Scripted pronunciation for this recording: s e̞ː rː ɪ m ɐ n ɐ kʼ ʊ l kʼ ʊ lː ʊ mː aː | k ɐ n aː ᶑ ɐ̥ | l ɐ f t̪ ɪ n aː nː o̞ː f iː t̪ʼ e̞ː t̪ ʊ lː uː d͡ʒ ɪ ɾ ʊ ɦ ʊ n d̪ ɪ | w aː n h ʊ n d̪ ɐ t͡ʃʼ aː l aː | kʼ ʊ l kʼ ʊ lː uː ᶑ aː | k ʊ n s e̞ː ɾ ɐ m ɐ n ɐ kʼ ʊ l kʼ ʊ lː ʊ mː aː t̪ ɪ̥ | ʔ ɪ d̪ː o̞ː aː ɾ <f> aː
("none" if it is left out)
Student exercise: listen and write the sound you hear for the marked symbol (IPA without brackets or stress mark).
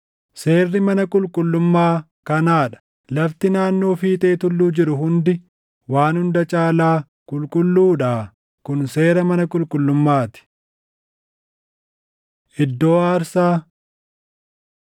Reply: s